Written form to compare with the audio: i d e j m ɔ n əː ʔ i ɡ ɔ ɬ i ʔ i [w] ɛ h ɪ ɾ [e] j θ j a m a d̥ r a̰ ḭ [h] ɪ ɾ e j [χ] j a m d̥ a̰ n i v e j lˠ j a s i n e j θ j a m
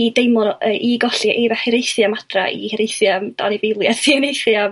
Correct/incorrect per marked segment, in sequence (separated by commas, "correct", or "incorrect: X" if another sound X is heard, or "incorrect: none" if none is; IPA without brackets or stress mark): incorrect: v, correct, correct, incorrect: θ